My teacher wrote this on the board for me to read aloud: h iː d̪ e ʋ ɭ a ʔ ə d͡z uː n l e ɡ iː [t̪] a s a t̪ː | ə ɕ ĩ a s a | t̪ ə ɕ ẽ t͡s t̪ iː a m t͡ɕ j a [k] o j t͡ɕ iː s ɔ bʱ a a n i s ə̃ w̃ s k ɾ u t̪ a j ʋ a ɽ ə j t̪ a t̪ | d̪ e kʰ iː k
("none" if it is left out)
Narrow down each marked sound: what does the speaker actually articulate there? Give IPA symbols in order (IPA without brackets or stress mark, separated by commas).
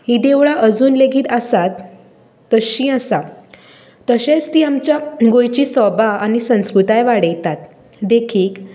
t̪, ɡ